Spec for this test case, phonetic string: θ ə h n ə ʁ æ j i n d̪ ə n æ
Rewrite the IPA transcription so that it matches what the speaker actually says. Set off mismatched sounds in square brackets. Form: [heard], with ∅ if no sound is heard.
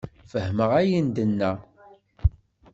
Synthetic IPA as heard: [f] ə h [m] ə ʁ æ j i n d̪ ə [nː] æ